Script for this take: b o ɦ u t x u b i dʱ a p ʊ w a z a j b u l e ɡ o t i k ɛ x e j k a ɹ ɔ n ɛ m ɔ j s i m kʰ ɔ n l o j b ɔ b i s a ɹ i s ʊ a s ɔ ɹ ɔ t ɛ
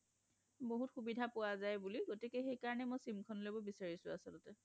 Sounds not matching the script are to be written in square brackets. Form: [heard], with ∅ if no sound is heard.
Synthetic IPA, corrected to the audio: b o ɦ u t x u b i dʱ a p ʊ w a z a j b u l [i] ɡ o t i k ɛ x e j k a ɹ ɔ n ɛ m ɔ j s i m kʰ ɔ n l o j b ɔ b i s a ɹ i s ʊ a s ɔ [l] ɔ t ɛ

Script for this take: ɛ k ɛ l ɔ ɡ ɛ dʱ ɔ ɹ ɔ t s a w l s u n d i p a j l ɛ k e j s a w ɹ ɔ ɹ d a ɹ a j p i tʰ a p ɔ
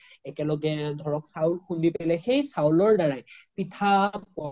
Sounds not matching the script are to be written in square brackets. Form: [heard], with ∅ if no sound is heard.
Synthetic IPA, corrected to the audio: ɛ k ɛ l ɔ ɡ ɛ dʱ ɔ ɹ ɔ [k] s a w l [x] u n d i p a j l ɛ [x] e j s a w [l] ɔ ɹ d a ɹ a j p i tʰ a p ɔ

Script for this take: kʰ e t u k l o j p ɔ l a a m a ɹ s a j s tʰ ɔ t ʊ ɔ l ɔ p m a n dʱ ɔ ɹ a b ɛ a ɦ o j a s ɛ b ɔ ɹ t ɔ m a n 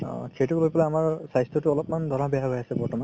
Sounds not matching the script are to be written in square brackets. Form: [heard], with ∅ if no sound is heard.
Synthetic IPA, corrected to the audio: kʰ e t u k l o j p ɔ l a a m a ɹ s a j s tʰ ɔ t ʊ ɔ l ɔ p m a n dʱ ɔ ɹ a b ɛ a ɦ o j a s ɛ b ɔ ɹ t ɔ m a n

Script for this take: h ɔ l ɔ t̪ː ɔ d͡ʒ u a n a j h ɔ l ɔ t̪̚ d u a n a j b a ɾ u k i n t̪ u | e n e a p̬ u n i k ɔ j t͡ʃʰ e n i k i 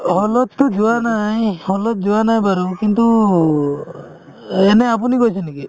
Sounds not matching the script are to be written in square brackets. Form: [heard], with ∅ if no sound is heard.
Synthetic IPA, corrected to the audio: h ɔ l ɔ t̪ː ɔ d͡ʒ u a n a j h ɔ l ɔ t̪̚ [d͡ʒ] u a n a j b a ɾ u k i n t̪ u | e n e a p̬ u n i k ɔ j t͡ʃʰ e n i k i

